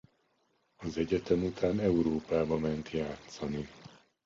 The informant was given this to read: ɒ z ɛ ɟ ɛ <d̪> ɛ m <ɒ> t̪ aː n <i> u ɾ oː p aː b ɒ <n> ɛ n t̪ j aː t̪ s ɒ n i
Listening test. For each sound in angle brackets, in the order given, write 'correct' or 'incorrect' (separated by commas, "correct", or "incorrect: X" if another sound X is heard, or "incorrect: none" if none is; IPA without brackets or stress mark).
incorrect: t̪, incorrect: u, incorrect: ɛ, incorrect: m